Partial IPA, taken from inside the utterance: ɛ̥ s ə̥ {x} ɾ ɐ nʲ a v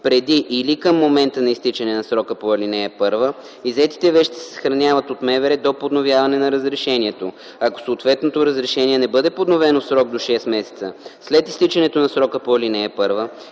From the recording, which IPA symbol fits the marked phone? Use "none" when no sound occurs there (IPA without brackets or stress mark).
x